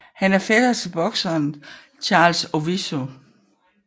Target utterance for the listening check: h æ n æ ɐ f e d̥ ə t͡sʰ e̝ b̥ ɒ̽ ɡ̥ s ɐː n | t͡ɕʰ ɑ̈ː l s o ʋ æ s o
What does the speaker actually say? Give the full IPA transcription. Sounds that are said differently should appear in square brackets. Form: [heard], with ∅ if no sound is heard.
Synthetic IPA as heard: h æ n æ ɐ f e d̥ [ɐ] t͡sʰ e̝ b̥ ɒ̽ ɡ̥ s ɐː n | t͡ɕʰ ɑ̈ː l s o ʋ [i] s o